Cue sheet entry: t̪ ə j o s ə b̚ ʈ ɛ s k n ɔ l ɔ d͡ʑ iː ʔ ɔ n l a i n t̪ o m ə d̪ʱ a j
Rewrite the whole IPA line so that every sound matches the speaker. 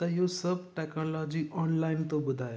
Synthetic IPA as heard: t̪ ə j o s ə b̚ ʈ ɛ k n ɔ l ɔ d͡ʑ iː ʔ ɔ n l a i n t̪ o b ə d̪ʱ a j